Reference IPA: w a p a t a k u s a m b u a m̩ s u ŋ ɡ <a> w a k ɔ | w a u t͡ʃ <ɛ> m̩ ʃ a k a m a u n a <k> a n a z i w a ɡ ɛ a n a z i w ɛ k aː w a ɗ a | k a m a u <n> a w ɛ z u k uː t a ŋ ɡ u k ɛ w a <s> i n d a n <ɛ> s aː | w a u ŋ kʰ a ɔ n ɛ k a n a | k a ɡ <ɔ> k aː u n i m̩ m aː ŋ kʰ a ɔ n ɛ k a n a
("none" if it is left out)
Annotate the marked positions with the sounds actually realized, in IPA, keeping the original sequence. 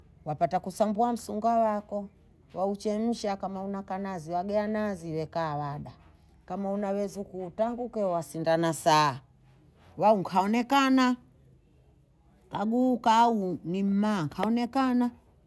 a, ɛ, k, n, s, a, u

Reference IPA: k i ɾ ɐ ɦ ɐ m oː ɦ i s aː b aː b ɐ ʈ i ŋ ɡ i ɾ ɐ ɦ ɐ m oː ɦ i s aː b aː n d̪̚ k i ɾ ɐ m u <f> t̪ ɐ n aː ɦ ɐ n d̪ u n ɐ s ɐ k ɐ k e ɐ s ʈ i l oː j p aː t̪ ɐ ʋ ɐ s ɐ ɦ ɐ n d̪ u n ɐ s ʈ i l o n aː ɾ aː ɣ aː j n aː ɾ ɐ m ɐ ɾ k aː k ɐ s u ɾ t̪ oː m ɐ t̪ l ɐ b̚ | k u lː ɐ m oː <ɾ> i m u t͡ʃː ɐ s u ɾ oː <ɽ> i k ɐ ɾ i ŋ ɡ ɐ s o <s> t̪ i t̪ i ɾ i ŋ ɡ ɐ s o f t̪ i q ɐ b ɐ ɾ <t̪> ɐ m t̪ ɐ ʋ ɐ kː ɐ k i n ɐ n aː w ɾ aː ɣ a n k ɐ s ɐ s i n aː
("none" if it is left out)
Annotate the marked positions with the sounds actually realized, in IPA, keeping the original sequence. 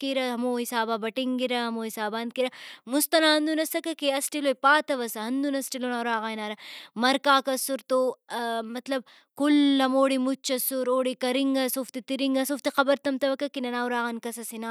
s, ɽ, ɽ, f, t̪

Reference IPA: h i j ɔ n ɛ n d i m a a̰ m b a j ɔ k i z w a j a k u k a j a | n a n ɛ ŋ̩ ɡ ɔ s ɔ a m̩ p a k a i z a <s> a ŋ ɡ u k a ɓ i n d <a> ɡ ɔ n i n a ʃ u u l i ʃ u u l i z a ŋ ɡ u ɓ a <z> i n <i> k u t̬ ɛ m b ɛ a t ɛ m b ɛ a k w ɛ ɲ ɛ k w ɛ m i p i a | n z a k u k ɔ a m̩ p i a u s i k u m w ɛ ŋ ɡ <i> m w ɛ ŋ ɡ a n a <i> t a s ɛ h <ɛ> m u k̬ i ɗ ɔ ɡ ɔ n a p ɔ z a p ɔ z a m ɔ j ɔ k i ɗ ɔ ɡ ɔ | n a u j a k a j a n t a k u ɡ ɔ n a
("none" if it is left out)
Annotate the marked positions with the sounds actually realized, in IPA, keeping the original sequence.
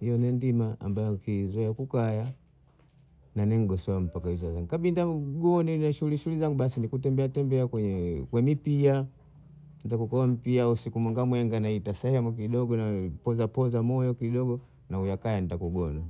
z, a, s, i, a, i, ɛ

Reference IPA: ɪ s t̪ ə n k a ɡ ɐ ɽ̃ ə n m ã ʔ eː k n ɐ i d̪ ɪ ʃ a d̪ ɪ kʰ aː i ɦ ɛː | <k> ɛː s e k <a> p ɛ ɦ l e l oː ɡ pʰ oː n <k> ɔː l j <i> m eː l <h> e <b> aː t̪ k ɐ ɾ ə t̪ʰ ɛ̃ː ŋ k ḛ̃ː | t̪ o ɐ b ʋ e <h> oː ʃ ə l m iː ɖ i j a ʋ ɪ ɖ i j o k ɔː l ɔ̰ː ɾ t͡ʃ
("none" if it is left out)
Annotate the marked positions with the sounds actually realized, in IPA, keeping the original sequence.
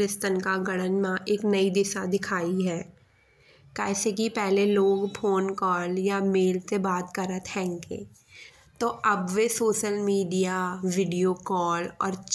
k, i, k, a, s, b, s

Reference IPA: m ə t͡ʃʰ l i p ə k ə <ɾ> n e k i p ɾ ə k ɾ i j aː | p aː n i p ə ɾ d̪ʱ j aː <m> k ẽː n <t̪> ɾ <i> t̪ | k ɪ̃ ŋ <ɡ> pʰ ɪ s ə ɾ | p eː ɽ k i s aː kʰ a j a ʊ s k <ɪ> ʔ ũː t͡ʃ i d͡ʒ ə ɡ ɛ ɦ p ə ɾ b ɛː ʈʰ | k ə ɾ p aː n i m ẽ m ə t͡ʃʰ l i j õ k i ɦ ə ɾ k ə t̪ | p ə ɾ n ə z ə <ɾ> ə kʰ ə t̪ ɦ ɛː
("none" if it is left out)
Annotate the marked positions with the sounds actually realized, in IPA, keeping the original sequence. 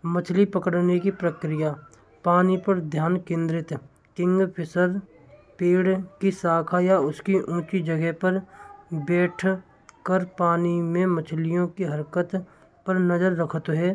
ɽ, n, d̪, ɪ, ɡ, i, ɾː

